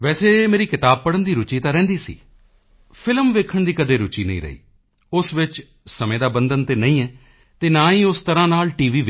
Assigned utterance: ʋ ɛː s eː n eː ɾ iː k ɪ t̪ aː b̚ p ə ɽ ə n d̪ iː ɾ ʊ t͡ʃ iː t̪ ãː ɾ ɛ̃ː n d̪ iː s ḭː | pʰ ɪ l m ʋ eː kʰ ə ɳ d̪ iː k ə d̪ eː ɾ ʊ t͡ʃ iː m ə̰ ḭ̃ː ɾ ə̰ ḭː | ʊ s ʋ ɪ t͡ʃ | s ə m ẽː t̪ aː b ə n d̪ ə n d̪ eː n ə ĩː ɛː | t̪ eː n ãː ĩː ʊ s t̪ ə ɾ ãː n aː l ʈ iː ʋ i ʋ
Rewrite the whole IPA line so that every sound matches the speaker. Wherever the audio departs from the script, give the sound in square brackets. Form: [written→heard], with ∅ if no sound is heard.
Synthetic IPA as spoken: ʋ ɛː s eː [n→m] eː ɾ iː k ɪ t̪ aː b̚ p ə ɽ ə n d̪ iː ɾ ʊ t͡ʃ iː t̪ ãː ɾ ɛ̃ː n d̪ iː s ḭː | pʰ ɪ l m ʋ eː kʰ ə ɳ d̪ iː k ə d̪ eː ɾ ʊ t͡ʃ iː [m→n] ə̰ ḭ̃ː ɾ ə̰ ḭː | ʊ s ʋ ɪ t͡ʃ | s ə m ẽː [t̪→d̪] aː b ə n d̪ ə n [d̪→t̪] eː n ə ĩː ɛː | t̪ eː n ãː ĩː ʊ s t̪ ə ɾ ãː n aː l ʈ iː ʋ [i→iː] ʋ